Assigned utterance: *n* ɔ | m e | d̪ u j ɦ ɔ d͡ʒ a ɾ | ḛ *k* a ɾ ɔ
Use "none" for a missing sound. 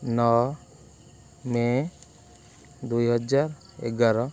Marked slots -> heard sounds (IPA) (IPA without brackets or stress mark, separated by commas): n, ɡ